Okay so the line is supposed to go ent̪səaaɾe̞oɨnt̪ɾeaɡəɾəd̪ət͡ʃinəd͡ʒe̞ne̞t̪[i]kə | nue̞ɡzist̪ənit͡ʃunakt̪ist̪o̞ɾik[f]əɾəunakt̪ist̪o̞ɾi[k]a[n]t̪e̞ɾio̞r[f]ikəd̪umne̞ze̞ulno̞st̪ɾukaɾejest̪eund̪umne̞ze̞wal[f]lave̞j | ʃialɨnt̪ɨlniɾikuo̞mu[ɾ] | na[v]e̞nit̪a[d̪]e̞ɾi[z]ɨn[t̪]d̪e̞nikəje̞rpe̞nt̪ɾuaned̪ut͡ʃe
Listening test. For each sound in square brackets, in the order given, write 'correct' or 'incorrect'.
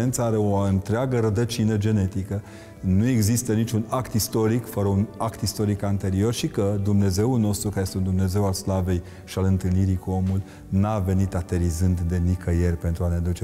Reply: correct, correct, correct, correct, incorrect, incorrect, incorrect, correct, incorrect, correct, incorrect

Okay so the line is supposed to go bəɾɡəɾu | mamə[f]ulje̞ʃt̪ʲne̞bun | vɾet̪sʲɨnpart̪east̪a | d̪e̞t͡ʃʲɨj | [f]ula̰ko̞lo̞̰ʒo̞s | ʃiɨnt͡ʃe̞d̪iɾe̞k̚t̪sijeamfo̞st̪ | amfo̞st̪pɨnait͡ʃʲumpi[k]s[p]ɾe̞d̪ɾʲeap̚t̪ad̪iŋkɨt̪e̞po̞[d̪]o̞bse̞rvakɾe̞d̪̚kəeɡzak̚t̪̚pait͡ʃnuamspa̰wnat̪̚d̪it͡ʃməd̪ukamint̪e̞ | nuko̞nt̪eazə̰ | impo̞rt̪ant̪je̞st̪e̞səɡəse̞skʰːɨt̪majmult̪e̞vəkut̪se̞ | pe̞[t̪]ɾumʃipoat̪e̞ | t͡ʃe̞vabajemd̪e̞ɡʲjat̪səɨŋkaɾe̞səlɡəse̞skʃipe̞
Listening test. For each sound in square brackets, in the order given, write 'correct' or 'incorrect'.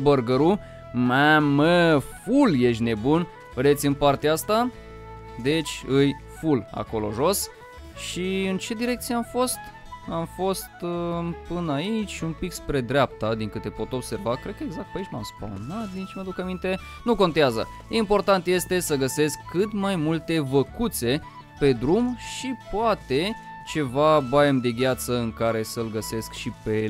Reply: correct, correct, correct, correct, incorrect, incorrect

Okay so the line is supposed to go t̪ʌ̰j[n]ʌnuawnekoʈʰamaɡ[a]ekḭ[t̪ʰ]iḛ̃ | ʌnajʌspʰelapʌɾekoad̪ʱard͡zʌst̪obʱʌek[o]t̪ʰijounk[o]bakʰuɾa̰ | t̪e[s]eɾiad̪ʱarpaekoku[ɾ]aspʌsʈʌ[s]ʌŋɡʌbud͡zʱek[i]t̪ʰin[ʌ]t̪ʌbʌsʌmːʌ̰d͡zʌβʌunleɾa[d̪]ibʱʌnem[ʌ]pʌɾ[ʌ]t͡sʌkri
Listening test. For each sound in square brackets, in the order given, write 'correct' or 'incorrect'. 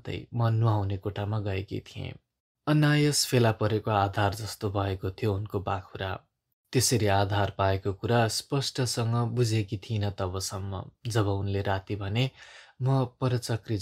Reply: incorrect, incorrect, correct, correct, correct, correct, correct, correct, correct, correct, incorrect, correct, correct

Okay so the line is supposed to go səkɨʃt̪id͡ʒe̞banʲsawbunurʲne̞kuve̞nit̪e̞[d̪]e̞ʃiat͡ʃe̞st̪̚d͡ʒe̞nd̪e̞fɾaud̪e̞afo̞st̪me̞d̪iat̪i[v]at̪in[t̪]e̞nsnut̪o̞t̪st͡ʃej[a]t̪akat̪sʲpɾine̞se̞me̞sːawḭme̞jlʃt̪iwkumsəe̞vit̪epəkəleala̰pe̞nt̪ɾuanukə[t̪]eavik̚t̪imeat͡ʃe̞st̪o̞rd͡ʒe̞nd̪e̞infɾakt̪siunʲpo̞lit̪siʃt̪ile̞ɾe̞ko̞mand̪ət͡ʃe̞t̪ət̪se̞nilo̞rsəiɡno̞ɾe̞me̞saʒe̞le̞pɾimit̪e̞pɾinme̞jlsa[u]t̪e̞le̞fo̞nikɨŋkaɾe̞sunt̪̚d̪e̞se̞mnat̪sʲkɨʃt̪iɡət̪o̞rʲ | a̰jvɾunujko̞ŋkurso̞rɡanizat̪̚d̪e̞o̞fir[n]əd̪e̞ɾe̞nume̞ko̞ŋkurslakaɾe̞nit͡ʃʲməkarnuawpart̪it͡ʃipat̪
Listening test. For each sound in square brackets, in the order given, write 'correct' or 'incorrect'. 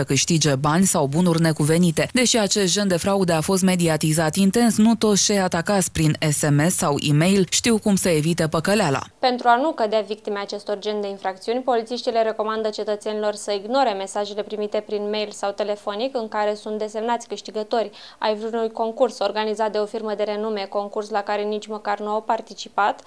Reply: correct, incorrect, correct, correct, incorrect, incorrect, incorrect

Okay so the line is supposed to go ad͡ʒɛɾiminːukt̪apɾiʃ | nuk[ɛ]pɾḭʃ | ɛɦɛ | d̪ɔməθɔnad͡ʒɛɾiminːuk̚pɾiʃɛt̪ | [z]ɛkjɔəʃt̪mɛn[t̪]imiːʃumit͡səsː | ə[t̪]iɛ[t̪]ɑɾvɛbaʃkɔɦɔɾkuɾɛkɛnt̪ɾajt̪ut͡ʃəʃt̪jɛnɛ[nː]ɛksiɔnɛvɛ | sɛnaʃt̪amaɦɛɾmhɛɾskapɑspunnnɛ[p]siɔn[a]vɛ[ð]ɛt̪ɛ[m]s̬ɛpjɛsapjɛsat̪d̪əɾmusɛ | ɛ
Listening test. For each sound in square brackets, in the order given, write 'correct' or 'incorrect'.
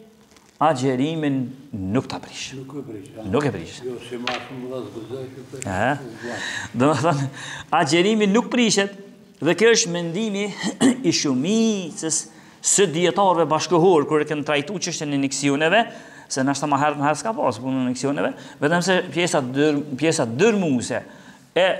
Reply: correct, incorrect, incorrect, incorrect, correct, incorrect, incorrect, incorrect, incorrect, correct

